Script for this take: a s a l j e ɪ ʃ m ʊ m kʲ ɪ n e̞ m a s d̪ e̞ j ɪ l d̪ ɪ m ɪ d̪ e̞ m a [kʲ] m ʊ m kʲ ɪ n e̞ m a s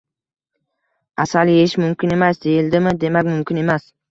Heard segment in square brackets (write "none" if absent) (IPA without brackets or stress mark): kʲ